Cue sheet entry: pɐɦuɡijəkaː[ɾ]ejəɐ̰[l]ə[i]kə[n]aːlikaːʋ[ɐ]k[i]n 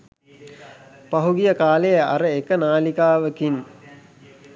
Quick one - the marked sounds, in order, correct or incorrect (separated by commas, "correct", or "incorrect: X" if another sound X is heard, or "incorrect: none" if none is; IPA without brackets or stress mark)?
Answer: incorrect: l, incorrect: ɾ, incorrect: e, correct, incorrect: ə, correct